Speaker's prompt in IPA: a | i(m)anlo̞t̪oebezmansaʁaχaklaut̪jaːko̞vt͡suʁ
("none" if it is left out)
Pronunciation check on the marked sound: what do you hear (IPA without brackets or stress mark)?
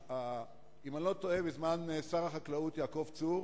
m